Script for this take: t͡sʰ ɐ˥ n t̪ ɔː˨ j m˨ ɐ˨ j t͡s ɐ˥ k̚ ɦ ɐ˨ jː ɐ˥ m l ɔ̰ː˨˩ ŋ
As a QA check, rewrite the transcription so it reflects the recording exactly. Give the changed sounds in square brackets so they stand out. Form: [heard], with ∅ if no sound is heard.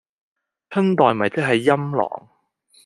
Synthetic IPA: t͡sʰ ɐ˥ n t̪ ɔː˨ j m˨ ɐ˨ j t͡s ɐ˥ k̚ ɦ ɐ˨ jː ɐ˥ m l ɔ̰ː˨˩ ŋ

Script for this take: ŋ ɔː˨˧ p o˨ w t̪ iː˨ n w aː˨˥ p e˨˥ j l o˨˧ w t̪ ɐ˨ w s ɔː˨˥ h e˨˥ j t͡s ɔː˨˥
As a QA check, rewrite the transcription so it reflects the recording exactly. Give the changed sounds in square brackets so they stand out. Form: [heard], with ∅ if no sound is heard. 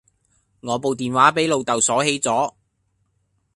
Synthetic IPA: ŋ ɔː˨˧ p o˨ w t̪ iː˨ n w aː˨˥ p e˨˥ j l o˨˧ w t̪ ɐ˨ w s ɔː˨˥ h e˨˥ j t͡s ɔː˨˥

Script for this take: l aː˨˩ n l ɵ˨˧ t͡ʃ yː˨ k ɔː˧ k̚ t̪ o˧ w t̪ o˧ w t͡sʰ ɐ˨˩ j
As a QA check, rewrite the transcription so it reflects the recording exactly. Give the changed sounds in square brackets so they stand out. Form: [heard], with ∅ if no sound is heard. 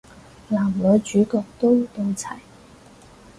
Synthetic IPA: l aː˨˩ [m] l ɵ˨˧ t͡ʃ [yː˨˥] k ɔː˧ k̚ t̪ [o˥] w t̪ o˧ w t͡sʰ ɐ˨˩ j

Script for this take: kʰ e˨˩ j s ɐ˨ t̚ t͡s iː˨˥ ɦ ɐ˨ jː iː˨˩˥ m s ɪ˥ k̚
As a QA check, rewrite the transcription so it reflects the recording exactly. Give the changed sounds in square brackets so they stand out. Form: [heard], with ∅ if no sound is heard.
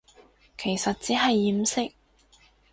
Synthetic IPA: kʰ e˨˩ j s ɐ˨ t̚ t͡s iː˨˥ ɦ ɐ˨ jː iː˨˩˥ m s ɪ˥ k̚

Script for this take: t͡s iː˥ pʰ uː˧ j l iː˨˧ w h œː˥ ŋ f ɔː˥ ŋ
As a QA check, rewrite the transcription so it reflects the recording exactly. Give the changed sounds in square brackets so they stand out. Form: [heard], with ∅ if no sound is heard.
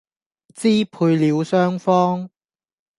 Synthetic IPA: t͡s iː˥ pʰ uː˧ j l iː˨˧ w [s] œː˥ ŋ f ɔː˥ ŋ

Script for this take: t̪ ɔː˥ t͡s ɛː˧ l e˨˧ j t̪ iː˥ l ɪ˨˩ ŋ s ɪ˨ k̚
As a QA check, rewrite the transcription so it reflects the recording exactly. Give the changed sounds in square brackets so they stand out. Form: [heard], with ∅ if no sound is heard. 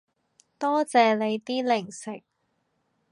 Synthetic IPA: t̪ ɔː˥ t͡s ɛː˧ l e˨˧ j t̪ iː˥ l ɪ˨˩ ŋ s ɪ˨ k̚

